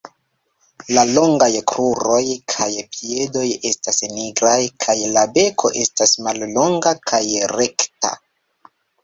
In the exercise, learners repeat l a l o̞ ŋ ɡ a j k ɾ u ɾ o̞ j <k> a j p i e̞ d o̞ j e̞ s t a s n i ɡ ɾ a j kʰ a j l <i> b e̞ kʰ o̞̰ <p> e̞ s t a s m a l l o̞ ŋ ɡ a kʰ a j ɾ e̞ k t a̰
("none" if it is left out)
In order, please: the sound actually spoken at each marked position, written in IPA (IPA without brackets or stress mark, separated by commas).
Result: kʰ, a, ʔ